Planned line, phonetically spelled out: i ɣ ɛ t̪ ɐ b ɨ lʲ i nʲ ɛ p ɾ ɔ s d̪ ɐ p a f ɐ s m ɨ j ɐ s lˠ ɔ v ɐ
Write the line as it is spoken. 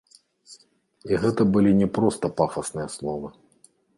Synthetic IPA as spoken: i ɣ ɛ t̪ ɐ b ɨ lʲ i nʲ ɛ p ɾ ɔ s t̪ ɐ p a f ɐ s n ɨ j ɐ s lˠ ɔ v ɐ